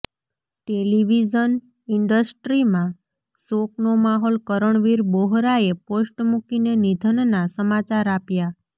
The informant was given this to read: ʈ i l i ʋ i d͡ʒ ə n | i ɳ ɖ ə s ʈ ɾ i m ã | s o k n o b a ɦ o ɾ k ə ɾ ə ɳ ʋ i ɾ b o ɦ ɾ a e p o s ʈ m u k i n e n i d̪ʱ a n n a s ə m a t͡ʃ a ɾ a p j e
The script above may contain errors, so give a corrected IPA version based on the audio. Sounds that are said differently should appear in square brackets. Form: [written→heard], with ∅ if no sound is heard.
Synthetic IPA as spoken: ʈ [i→e] l i ʋ i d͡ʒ ə n | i ɳ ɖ ə s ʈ ɾ i m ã | s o k n o [b→m] a ɦ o [ɾ→l] k ə ɾ ə ɳ ʋ i ɾ b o ɦ ɾ a e p o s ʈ m u k i n e n i d̪ʱ [a→ə] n n a s ə m a t͡ʃ a ɾ a p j [e→a]